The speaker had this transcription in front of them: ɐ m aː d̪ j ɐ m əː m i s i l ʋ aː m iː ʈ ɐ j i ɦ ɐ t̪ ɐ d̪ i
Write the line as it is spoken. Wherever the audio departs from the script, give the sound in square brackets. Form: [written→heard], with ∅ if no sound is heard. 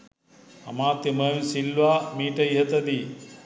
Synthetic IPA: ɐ m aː [d̪→t̪] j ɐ m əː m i s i l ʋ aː m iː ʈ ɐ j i ɦ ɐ t̪ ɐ d̪ i